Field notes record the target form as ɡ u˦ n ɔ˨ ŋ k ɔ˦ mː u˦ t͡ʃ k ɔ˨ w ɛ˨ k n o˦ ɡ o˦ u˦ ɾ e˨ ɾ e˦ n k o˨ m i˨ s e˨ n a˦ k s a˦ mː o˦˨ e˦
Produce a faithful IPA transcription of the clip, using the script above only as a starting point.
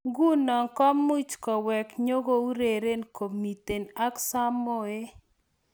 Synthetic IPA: ɡ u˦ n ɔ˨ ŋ k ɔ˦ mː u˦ t͡ʃ k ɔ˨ w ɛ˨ k ɲ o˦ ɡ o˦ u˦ ɾ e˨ ɾ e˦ n k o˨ m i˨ t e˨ n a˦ k s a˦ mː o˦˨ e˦

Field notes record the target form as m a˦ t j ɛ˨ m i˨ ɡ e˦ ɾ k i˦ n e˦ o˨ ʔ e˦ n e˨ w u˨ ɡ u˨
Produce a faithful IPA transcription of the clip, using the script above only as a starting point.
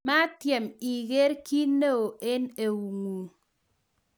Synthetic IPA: m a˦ t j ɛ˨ m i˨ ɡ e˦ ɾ k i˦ n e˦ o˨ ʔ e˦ n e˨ w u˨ ŋ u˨

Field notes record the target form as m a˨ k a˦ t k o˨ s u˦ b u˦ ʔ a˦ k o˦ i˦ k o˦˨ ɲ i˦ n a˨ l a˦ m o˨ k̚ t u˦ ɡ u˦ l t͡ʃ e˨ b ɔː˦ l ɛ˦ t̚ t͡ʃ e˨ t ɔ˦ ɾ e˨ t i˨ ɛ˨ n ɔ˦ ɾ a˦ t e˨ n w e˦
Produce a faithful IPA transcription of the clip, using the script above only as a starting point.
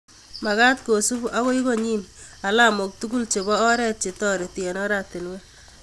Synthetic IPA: m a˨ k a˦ t k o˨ s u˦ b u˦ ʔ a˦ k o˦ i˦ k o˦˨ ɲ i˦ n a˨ l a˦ m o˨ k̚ t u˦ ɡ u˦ l t͡ʃ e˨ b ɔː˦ ɾ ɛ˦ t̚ t͡ʃ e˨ t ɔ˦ ɾ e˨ t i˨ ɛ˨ n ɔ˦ ɾ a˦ t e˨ n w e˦

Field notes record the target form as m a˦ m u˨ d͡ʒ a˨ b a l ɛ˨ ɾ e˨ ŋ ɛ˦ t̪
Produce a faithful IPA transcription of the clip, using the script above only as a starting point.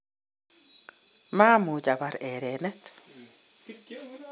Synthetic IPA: m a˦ m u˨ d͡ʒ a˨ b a ɾ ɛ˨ ɾ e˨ n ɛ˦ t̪

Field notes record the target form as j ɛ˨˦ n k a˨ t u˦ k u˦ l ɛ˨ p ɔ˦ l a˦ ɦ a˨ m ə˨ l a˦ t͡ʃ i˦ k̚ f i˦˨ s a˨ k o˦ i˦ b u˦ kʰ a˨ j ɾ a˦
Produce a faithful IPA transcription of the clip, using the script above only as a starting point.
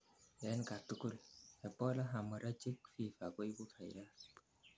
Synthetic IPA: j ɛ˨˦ n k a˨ t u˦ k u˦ l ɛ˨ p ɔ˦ l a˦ ɦ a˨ m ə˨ ɾ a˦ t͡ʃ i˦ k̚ f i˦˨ f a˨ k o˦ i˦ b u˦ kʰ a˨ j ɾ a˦

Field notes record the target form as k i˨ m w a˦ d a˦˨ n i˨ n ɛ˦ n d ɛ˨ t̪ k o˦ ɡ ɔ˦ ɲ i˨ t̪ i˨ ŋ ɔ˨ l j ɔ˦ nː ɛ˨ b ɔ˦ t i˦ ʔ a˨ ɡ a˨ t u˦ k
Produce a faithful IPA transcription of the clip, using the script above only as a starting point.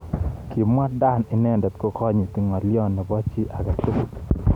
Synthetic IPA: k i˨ m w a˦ d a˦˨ n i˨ n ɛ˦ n d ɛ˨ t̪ k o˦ k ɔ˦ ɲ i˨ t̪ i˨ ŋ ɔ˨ l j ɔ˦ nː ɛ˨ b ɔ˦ t͡ʃ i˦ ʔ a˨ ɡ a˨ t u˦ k

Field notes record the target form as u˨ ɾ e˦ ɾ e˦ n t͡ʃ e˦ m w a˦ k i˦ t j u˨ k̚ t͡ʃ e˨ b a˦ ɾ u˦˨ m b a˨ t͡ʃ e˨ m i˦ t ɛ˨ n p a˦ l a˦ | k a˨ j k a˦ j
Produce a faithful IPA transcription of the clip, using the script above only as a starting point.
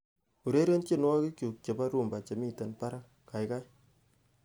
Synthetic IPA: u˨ ɾ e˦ ɾ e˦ n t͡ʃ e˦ n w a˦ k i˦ k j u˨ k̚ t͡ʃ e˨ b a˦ ɾ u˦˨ m b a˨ t͡ʃ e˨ m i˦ t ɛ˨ n p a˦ ɾ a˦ | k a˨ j k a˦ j

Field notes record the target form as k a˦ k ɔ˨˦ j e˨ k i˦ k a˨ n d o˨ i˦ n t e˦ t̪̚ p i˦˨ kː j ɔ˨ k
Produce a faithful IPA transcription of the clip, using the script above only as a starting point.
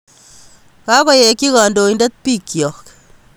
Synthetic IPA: k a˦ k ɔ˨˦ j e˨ k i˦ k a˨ n d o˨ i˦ n d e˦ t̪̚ p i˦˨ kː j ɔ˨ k

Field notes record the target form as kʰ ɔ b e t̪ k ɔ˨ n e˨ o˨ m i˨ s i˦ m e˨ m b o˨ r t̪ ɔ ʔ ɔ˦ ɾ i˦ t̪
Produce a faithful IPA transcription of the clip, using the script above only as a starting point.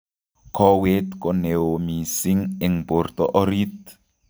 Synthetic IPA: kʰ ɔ w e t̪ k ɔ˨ n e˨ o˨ m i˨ s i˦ ŋ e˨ ŋ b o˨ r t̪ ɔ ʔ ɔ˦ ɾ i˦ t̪

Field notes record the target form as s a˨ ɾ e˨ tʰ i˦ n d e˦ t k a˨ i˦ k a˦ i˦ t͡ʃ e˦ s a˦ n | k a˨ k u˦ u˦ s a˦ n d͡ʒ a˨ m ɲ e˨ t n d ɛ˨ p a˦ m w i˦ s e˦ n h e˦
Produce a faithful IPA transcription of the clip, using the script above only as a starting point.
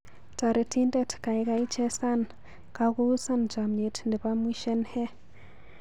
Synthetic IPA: t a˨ ɾ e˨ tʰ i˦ n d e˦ t k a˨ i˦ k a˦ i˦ t͡ʃ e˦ s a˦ n | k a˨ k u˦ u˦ s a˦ n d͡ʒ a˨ m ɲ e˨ t n d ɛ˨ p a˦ m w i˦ ʃ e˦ n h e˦

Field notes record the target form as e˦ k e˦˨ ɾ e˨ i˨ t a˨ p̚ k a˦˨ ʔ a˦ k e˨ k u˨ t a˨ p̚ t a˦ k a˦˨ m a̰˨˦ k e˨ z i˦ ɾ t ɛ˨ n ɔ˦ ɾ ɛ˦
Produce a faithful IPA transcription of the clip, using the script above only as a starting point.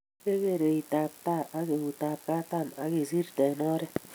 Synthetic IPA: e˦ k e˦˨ ɾ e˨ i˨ t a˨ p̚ t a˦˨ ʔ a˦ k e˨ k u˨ t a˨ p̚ k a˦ t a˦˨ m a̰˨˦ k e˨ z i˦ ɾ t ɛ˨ n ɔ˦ ɾ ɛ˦

